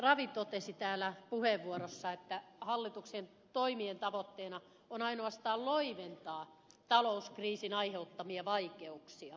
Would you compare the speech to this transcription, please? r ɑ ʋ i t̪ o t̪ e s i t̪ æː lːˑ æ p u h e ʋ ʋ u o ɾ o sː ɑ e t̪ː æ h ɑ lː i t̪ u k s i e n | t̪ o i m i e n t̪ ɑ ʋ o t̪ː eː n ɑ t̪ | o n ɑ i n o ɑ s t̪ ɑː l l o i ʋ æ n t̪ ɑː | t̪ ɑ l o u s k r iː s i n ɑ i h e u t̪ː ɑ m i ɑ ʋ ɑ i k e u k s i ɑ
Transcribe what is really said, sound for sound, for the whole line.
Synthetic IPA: r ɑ ʋ i t̪ o t̪ e s i t̪ æː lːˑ æ p u h e ʋ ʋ u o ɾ o sː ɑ e t̪ː æ h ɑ lː i t̪ u k s i e n | t̪ o i m i e n t̪ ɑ ʋ o t̪ː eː n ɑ | o n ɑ i n o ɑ s t̪ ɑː l l o i ʋ e n t̪ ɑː | t̪ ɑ l o u s k r iː s i n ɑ i h e u t̪ː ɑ m i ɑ ʋ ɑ i k e u k s i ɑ

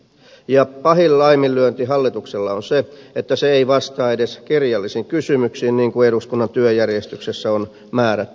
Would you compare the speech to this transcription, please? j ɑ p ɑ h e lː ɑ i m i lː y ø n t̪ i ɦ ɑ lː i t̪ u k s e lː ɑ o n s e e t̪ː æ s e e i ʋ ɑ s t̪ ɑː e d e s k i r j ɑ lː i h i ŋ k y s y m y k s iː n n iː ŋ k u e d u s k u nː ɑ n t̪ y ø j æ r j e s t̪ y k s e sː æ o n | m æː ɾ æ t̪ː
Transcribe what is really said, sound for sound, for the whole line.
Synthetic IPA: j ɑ p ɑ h i lː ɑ i m i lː y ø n t̪ i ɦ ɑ lː i t̪ u k s e lː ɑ o n s e e t̪ː æ s e e i ʋ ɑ s t̪ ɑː e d e s k i r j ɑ lː i s i ŋ k y s y m y k s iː n n iː ŋ k u e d u s k u nː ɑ n t̪ y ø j æ r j e s t̪ y k s e sː æ o n | m æː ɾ æ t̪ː

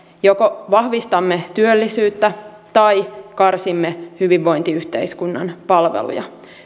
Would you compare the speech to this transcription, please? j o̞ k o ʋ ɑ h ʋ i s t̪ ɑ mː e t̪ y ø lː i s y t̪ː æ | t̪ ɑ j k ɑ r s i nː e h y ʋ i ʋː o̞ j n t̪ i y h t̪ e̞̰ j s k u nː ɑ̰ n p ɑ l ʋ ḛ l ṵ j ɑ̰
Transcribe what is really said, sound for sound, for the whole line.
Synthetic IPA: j o̞ k o ʋ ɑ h ʋ i s t̪ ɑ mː e t̪ y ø lː i s yː t̪ː æ | t̪ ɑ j k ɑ r s i mː e h y ʋ i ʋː o̞ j n t̪ i y h t̪ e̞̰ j s k u nː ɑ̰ n p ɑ l ʋ ḛ l ṵ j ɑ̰

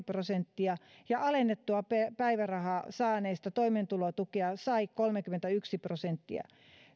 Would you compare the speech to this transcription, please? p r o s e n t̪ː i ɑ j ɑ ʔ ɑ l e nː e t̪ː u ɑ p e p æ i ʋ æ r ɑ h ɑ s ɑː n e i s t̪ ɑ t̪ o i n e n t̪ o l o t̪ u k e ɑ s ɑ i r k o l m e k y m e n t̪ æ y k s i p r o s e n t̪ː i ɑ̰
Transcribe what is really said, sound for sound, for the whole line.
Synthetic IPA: p r o s e n t̪ː i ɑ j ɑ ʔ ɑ l e nː e t̪ː u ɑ p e p æ i ʋ æ r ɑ h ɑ s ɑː n e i s t̪ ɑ t̪ o i m e n t̪ u l o t̪ u k e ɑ s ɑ i k o l m e k y m e n t̪ æ y k s i p r o s e n t̪ː i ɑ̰

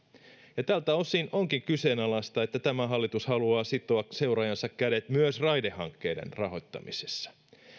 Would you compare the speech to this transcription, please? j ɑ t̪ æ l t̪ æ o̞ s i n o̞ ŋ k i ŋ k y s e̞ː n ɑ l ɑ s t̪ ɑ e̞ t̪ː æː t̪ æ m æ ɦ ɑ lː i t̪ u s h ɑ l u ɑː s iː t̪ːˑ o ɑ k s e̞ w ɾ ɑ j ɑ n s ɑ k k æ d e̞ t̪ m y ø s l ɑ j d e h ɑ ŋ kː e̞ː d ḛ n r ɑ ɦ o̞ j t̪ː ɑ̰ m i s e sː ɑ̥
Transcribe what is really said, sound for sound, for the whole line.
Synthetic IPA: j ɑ t̪ æ l t̪ æ o̞ s i n o̞ ŋ k i ŋ k y s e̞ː n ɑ l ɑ s t̪ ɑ e̞ t̪ː æ t̪ æ m æ ɦ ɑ lː i t̪ u s h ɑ l u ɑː s i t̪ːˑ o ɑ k s e̞ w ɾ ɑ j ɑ n s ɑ k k æ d e̞ t̪ m y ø s r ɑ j d e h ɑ ŋ kː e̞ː d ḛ n r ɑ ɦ o̞ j t̪ː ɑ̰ m i s e sː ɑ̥

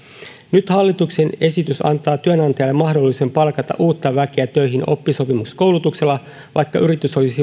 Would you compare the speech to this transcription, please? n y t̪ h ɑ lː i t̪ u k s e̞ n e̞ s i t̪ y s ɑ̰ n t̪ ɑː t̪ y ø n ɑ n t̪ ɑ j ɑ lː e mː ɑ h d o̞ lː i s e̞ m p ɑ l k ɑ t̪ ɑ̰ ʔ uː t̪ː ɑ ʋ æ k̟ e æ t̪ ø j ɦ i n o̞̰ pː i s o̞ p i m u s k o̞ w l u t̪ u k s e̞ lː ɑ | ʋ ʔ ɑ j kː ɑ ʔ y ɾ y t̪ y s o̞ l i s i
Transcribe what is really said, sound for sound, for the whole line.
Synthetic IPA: n y t̪ h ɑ lː i t̪ u k s e̞ n e̞ s i t̪ y s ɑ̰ n t̪ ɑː t̪ y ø n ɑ n t̪ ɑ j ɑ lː e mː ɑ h d o̞ lː i s e̞ m p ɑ l k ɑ t̪ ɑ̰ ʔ uː t̪ː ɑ ʋ æ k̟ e æ t̪ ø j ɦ i n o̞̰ pː i s o̞ p i m u s k o̞ w l u t̪ u k s e̞ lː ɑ | ʋ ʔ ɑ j kː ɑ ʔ y ɾ i t̪ y s o̞ l i s i

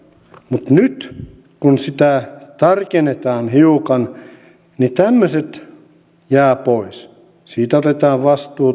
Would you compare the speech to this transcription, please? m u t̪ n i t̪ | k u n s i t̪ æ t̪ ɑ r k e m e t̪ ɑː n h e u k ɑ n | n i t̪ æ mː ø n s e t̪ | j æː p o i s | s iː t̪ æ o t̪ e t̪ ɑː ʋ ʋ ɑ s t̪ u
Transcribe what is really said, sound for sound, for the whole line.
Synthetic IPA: m u t̪ n y t̪ | k u n s i t̪ æ t̪ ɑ r k e n e t̪ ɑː n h i u k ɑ n | n i t̪ æ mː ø s e t̪ | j æː p o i s | s iː t̪ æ o t̪ e t̪ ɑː ʋ ʋ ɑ s t̪ uː

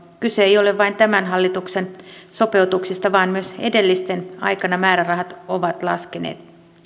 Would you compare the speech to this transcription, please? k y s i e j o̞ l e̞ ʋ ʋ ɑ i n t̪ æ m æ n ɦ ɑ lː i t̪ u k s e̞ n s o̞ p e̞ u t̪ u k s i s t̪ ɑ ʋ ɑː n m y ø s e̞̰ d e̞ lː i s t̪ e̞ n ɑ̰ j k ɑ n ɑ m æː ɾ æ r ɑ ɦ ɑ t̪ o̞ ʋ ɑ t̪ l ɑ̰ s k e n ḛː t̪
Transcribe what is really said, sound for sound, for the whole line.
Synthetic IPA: k y s e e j o̞ l e̞ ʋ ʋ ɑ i n t̪ æ m æ n ɦ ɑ lː i t̪ u k s e̞ n s o̞ p e̞ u t̪ u k s i s t̪ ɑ ʋ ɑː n m y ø s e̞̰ d e̞ lː i s t̪ e̞ n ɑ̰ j k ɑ n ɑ m æː ɾ æ r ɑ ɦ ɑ t̪ o̞ ʋ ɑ t̪ l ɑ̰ s k e n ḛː t̪

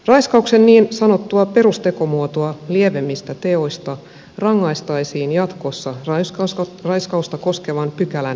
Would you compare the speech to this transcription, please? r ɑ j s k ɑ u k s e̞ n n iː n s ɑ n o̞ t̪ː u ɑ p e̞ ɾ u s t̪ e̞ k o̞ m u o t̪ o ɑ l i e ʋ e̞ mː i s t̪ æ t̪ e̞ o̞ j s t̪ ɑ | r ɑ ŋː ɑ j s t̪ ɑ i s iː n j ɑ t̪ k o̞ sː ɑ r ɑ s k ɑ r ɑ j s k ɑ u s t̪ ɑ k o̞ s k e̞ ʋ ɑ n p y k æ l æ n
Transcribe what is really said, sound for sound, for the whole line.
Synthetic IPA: r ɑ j s k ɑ u k s e̞ n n iː n s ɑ n o̞ t̪ː u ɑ p e̞ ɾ u s t̪ e̞ k o̞ m u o t̪ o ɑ l i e ʋ e̞ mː i s t̪ æ t̪ e̞ o̞ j s t̪ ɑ | r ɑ ŋː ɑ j s t̪ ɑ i s iː n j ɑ t̪ k o̞ sː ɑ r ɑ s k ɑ r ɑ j s k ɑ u s t̪ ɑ k o̞ s k e̞ ʋ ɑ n p y k æ l æ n

